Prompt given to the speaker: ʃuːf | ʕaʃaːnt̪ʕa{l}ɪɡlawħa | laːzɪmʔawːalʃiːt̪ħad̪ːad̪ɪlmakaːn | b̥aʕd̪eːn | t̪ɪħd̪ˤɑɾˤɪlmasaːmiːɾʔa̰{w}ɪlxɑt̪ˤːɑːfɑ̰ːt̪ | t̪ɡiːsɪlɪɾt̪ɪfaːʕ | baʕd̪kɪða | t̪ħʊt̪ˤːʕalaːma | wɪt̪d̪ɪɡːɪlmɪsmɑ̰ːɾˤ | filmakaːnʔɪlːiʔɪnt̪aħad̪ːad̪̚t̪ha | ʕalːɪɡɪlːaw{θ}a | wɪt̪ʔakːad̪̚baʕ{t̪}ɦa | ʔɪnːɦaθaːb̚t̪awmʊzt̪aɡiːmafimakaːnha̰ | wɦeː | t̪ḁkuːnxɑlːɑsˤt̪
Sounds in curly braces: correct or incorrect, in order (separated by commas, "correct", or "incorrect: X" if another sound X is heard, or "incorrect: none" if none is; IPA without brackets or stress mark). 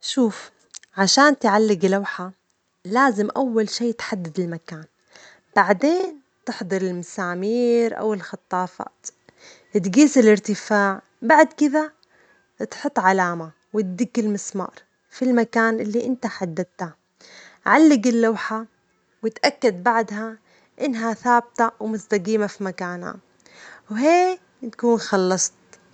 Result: incorrect: lː, correct, incorrect: ħ, incorrect: d̪